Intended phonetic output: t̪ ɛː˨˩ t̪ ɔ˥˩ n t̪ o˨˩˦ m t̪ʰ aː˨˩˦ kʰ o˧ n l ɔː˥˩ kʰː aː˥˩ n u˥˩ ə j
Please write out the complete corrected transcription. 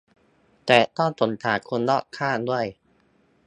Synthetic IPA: t̪ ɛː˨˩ t̪ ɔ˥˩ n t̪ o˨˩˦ n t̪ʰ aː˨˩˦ kʰ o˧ n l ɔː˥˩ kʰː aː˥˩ d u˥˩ ə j